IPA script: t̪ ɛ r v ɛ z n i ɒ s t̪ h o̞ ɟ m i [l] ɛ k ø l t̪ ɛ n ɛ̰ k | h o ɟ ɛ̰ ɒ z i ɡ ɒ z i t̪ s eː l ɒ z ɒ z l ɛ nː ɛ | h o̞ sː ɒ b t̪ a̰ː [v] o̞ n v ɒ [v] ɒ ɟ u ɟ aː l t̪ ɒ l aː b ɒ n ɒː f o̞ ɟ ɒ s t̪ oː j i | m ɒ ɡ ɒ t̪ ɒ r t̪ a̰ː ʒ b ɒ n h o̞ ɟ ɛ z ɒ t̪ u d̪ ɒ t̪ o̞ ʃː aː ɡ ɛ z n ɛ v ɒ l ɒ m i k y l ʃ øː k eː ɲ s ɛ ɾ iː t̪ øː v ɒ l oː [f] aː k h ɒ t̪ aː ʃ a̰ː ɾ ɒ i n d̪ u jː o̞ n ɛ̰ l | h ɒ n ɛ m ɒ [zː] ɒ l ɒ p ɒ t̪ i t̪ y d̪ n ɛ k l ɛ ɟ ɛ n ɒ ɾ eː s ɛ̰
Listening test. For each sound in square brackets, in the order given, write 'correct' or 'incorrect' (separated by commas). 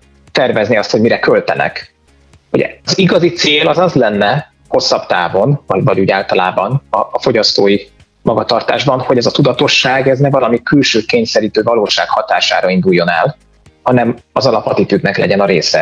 incorrect, correct, correct, incorrect, incorrect